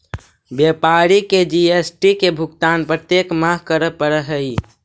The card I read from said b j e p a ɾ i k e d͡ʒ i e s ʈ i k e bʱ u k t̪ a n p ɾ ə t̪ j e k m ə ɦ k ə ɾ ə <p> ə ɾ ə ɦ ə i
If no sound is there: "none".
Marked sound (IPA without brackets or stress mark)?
p